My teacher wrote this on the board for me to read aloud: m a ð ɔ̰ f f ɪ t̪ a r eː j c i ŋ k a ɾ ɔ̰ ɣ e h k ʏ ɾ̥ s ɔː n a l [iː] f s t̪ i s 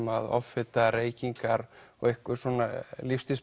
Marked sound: incorrect: i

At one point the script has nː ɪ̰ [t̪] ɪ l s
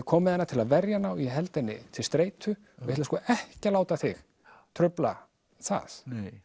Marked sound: incorrect: t̪ʰ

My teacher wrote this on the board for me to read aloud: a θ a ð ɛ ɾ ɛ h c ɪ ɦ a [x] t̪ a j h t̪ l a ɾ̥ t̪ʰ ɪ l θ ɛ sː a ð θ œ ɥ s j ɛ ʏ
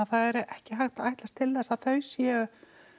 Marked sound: correct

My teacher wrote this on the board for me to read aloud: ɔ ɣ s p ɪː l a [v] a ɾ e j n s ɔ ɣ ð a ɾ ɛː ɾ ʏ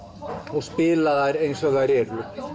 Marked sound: incorrect: ð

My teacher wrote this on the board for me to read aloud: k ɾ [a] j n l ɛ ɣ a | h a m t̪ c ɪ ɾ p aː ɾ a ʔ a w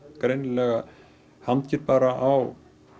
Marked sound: incorrect: e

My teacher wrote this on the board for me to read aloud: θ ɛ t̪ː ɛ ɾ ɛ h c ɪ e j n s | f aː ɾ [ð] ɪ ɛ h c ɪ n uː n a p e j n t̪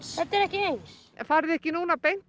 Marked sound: correct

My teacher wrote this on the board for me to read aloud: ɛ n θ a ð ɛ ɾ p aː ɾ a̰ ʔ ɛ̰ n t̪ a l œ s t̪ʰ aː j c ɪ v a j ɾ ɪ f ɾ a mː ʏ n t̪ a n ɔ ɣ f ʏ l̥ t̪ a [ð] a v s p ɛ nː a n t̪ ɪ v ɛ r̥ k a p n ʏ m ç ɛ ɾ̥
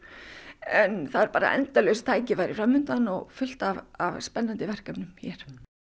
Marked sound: incorrect: v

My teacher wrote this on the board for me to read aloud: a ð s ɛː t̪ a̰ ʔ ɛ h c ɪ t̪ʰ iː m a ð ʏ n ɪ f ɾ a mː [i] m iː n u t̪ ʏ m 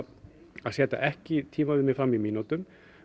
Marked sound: correct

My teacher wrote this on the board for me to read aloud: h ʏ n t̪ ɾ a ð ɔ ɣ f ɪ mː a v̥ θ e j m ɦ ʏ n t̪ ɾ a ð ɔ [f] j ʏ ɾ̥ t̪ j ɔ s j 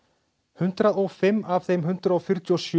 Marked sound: correct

